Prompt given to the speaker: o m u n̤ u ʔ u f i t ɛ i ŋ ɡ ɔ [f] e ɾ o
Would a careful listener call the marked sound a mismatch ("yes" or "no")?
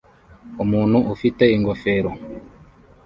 no